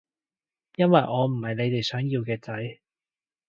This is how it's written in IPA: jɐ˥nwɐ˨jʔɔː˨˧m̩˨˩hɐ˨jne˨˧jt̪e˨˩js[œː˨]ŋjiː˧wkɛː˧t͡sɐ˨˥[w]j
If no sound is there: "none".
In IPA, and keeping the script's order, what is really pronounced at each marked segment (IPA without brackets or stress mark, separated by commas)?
œː˨˥, none